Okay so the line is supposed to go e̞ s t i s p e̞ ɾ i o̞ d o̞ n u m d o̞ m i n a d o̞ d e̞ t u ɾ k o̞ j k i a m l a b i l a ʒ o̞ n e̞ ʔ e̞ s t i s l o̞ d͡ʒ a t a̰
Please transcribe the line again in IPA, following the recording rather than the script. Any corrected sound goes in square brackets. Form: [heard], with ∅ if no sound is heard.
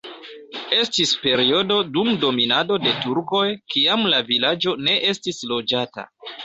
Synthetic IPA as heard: e̞ s t i s p e̞ ɾ i o̞ d o̞ [d] u m d o̞ m i n a d o̞ d e̞ t u ɾ k o̞ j k i a m l a [v] i l a [d͡ʒ] o̞ n e̞ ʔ e̞ s t i s l o̞ d͡ʒ a t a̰